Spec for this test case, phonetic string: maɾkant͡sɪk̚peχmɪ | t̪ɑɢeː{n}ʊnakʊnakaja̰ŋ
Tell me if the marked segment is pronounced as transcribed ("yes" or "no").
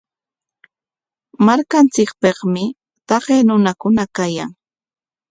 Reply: yes